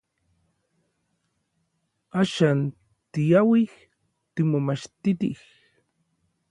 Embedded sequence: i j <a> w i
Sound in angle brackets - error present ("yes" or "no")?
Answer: no